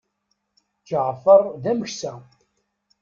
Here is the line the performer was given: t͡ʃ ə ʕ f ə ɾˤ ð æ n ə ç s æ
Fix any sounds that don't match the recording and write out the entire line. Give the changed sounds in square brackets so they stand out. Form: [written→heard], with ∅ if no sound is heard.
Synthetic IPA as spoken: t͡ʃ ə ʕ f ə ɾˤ ð æ [n→m] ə ç s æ